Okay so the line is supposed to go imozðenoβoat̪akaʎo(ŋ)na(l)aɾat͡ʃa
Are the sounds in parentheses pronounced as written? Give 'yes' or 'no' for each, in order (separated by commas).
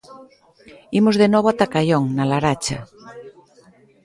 yes, yes